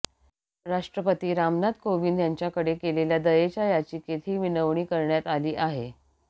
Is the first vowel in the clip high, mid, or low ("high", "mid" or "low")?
low